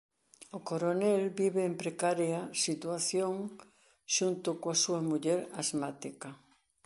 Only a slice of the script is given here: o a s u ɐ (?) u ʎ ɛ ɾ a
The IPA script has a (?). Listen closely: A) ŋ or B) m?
B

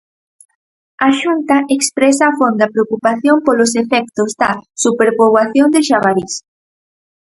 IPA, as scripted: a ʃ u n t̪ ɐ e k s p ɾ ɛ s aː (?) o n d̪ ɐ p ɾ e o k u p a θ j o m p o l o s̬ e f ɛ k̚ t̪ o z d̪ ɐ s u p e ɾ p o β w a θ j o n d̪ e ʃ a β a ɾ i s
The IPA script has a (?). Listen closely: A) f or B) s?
A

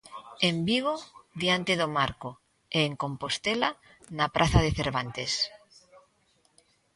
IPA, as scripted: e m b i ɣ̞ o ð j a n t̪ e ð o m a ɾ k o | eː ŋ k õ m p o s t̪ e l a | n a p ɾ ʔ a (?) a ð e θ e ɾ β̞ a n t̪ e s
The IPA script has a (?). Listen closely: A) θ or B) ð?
A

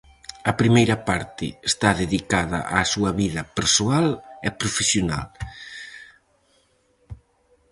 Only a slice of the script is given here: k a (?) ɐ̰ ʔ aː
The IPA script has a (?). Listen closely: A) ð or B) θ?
A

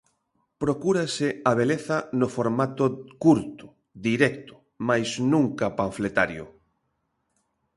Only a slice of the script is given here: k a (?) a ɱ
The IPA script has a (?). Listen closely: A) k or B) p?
B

